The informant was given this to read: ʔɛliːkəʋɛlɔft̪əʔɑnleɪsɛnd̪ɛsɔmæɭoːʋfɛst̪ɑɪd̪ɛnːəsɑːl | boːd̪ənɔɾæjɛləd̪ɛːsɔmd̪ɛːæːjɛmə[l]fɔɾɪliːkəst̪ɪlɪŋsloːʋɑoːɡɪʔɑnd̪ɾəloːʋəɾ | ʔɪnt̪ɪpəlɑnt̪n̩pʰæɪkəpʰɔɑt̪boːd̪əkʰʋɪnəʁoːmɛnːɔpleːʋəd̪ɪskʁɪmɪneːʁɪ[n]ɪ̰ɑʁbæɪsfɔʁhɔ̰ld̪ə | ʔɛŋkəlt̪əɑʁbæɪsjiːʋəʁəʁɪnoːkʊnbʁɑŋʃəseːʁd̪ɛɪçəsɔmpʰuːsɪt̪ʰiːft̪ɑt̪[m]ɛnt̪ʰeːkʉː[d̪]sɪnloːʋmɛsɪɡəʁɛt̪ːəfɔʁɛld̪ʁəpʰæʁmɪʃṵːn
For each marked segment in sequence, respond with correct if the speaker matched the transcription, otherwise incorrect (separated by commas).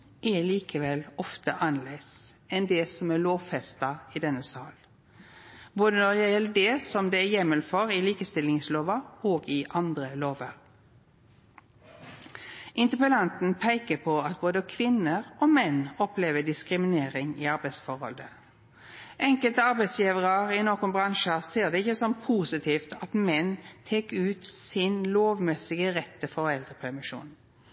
correct, incorrect, correct, incorrect